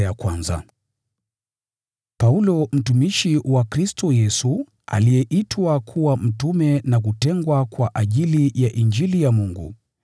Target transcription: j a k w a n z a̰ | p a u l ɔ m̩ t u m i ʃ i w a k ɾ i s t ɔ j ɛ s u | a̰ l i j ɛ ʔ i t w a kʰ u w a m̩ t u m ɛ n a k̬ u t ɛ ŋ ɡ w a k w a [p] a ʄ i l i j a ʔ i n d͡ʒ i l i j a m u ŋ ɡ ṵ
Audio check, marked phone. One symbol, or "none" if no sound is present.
ʔ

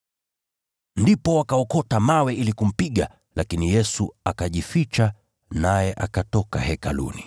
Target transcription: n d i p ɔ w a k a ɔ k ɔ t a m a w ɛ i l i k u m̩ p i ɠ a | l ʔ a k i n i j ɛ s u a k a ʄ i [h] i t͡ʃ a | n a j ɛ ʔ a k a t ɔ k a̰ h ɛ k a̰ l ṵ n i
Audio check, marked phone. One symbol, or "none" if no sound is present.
f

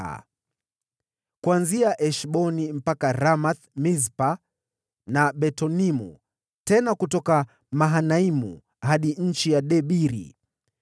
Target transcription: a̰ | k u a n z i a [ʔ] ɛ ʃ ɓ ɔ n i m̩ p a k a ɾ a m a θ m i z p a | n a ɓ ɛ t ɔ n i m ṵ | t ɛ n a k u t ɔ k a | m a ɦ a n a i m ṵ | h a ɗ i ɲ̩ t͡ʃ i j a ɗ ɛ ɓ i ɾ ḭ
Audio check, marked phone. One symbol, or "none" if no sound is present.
ʔ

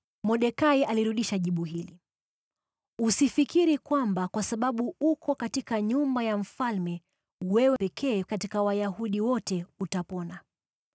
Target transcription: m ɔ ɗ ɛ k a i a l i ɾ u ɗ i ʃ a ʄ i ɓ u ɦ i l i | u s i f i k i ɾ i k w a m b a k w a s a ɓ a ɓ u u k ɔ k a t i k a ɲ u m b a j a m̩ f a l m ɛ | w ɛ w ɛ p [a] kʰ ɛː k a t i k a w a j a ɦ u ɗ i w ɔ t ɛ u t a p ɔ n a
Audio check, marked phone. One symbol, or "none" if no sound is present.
ɛ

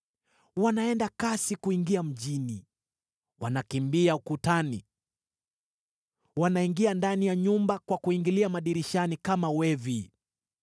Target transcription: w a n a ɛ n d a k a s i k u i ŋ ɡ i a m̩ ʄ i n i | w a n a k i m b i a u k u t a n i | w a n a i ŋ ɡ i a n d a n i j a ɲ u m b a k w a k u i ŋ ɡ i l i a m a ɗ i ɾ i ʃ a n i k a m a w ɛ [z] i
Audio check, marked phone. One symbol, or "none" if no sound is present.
v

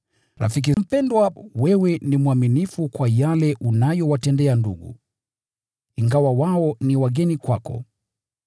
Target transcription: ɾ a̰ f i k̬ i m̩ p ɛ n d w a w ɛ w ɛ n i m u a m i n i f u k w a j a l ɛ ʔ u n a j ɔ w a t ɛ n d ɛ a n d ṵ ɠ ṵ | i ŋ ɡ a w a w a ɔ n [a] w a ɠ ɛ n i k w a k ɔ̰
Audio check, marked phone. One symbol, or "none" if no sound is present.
i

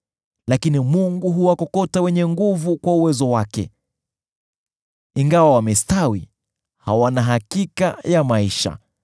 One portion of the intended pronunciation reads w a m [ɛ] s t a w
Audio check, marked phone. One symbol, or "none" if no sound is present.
ɛ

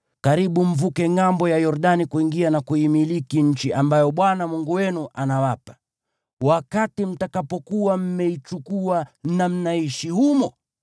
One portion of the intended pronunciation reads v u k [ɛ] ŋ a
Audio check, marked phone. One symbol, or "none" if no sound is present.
ɛ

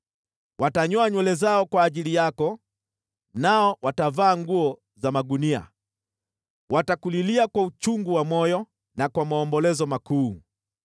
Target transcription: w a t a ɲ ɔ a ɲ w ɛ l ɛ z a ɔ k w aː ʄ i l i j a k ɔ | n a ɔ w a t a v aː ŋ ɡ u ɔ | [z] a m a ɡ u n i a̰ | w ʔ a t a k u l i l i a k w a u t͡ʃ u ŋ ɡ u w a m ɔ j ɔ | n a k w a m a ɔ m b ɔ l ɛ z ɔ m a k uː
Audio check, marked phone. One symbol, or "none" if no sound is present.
z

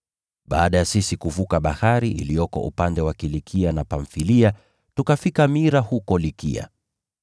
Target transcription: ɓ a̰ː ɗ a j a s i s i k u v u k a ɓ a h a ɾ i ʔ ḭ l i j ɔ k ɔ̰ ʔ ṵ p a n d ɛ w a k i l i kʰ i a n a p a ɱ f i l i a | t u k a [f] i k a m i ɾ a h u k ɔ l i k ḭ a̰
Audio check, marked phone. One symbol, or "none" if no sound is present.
f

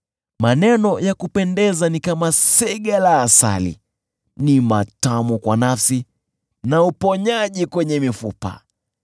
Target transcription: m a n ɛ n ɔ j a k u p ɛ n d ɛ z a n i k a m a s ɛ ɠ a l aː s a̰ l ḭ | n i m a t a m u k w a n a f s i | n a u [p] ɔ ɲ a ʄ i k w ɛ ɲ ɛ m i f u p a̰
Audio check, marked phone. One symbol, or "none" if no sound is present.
p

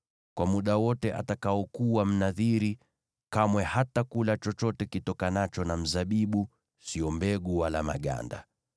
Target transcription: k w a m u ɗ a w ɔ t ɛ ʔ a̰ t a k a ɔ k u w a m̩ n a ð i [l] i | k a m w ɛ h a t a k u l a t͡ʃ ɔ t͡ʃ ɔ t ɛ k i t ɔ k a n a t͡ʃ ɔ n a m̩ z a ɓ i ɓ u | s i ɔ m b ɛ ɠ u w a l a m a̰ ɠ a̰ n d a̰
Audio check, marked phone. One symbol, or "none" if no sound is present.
ɾ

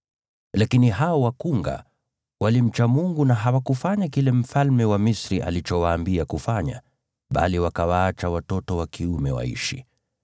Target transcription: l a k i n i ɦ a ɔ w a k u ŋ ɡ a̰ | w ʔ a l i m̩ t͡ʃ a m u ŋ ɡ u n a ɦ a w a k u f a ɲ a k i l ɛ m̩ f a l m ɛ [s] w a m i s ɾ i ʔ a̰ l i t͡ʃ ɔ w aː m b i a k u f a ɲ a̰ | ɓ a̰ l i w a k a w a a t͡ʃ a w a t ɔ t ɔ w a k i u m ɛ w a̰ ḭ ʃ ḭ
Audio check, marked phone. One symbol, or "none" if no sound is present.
none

